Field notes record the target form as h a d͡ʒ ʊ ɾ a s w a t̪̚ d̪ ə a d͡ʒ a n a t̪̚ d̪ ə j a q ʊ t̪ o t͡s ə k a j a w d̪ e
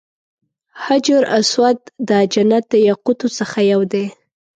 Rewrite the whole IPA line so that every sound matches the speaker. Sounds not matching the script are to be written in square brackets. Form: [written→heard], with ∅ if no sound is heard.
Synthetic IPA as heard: h a d͡ʒ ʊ ɾ a s w a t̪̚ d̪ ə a d͡ʒ a n a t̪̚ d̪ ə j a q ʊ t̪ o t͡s ə [k→x] a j a w d̪ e